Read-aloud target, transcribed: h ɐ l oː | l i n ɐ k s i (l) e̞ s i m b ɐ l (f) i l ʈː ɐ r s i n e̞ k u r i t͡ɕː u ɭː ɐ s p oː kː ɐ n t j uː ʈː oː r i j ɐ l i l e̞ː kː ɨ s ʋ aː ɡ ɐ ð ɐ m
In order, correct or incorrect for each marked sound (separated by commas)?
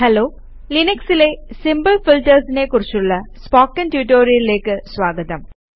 correct, correct